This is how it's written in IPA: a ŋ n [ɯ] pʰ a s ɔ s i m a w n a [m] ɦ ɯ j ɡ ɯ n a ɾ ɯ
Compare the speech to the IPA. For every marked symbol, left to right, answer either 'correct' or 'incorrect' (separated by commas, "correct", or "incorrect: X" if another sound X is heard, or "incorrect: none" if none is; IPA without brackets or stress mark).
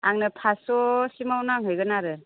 correct, incorrect: ŋ